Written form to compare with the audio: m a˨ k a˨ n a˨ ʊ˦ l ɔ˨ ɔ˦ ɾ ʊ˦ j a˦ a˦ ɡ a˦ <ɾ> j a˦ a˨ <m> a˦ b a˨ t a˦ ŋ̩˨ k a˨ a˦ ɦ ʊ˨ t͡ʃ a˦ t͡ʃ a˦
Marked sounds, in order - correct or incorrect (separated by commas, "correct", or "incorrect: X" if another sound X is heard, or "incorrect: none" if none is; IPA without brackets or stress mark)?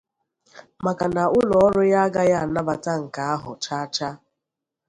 incorrect: none, incorrect: n